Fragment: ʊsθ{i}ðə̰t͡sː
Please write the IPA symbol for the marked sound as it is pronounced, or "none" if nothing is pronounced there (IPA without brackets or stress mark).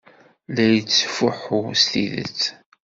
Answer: i